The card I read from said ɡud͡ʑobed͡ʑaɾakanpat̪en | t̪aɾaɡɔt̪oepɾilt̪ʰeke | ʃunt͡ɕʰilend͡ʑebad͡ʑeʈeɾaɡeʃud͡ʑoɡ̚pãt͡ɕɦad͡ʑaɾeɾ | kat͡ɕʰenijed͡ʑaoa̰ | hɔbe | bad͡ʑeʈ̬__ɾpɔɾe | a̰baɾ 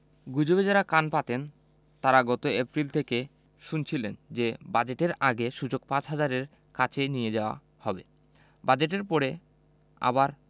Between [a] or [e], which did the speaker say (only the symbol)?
e